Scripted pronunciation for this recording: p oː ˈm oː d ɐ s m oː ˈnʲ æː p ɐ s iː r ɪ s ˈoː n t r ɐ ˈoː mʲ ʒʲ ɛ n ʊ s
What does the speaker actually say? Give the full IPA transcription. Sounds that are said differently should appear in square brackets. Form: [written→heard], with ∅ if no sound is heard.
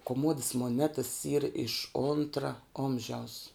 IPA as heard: [p→k] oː ˈm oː d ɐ s m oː ˈnʲ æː [p→t] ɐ s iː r ɪ [s→ʃ] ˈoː n t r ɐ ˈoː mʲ ʒʲ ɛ [n→∅] ʊ s